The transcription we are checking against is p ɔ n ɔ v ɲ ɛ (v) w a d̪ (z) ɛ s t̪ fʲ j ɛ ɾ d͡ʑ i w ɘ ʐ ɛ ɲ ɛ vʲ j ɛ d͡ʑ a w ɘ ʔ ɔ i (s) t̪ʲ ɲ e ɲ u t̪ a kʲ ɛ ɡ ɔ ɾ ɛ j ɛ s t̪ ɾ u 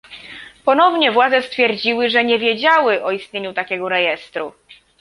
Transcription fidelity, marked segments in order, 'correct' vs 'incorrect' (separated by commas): correct, correct, correct